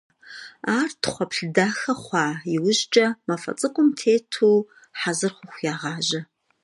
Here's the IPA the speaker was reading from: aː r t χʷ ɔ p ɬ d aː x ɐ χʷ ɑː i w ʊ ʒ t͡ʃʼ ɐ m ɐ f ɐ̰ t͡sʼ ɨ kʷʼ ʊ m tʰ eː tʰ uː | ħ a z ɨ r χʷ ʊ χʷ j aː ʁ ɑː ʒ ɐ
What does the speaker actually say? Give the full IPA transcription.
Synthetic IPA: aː r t χʷ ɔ p ɬ d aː x ɐ χʷ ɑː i w ʊ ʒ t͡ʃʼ ɐ m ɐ f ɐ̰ t͡sʼ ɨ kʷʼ ʊ m tʰ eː tʰ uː | ħ a z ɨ r χʷ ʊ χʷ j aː ʁ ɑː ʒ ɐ